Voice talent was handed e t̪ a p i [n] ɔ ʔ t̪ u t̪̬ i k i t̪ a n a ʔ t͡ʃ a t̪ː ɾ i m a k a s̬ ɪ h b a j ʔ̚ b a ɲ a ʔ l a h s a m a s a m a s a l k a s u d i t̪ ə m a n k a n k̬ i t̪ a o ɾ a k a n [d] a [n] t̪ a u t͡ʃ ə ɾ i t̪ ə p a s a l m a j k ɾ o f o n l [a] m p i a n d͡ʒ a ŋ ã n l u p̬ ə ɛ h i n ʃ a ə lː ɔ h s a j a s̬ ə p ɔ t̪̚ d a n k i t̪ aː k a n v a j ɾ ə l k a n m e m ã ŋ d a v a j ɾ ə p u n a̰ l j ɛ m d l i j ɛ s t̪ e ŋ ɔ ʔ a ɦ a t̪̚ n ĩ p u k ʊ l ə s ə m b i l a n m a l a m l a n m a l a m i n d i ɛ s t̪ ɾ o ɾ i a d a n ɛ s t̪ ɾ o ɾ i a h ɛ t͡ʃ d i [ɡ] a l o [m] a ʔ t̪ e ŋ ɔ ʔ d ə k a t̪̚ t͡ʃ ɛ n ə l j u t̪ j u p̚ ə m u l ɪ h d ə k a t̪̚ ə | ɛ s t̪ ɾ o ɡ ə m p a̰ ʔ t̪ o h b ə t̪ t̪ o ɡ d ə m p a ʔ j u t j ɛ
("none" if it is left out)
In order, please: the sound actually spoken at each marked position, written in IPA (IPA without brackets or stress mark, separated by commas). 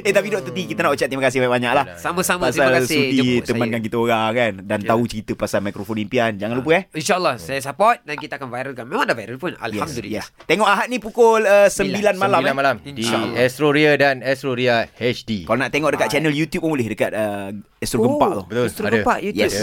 d, d, n, i, k, n